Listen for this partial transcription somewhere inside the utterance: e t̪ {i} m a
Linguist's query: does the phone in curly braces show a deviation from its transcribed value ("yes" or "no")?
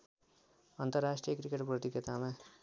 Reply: yes